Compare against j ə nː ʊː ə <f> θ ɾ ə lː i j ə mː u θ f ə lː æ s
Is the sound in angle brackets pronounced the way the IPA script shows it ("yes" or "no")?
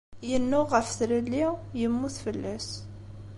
yes